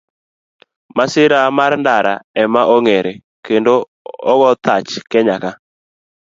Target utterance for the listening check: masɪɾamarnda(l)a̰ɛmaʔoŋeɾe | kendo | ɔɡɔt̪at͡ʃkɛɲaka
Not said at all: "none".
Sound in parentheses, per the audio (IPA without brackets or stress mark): ɾ